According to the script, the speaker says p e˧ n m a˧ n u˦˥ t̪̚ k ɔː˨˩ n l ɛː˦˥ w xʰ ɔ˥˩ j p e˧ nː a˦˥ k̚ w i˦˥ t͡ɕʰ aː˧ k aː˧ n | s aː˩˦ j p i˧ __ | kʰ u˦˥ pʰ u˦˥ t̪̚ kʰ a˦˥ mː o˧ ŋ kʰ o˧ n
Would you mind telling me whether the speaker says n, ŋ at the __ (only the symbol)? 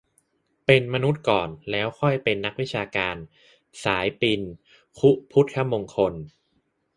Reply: n